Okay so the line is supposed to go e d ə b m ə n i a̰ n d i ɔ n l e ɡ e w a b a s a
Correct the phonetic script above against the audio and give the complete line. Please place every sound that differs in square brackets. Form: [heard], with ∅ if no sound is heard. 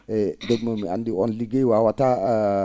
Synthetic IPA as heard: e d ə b m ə [m] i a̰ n d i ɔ n l [i] ɡ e w a [w] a [t] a